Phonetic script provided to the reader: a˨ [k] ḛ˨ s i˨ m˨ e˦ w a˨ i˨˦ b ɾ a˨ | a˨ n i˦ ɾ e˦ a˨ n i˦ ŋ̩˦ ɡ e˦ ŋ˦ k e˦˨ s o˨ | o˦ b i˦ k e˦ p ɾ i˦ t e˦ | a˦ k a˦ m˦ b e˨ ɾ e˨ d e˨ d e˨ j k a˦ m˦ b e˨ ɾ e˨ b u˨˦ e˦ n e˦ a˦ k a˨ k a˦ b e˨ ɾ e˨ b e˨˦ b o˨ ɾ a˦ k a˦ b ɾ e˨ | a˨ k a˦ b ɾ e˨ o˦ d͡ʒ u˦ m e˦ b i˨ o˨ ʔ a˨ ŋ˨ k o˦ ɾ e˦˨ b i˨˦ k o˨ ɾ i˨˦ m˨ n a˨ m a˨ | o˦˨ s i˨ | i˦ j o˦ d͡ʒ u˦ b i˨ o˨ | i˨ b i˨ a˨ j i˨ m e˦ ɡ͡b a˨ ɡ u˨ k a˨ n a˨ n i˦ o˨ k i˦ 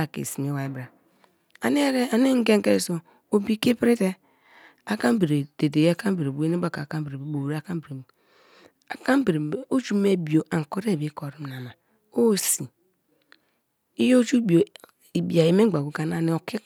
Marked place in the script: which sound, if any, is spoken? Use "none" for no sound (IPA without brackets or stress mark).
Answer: k